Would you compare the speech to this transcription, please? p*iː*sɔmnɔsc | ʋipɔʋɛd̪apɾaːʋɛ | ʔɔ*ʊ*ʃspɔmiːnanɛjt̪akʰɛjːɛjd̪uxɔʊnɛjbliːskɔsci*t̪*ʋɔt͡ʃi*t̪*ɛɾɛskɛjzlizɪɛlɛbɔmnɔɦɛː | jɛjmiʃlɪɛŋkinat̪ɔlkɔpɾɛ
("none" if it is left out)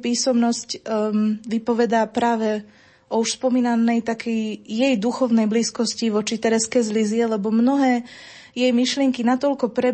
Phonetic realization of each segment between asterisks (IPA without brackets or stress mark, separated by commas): iː, u, none, t̪